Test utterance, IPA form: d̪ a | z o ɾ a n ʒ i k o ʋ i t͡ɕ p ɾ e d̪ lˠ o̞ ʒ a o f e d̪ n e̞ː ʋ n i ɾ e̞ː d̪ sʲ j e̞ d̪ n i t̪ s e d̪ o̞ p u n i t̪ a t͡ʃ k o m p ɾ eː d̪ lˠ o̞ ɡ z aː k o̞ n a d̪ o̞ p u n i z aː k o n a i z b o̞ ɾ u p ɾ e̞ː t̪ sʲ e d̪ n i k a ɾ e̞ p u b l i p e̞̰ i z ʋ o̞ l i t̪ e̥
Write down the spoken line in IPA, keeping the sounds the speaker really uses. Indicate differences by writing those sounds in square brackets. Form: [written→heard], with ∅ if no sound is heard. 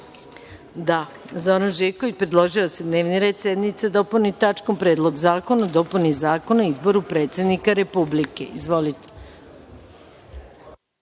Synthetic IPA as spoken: d̪ a | z o ɾ a n ʒ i k o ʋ i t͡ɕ p ɾ e d̪ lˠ o̞ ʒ [a→i] o [f→s] e d̪ n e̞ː ʋ n i ɾ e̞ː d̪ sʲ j e̞ d̪ n i t̪ s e d̪ o̞ p u n i t̪ a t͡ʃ k o m p ɾ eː d̪ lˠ o̞ ɡ z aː k o̞ n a d̪ o̞ p u n i z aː k o n a i z b o̞ ɾ u p ɾ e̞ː t̪ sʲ e d̪ n i k a ɾ e̞ p u b l i [p→k] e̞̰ i z ʋ o̞ l i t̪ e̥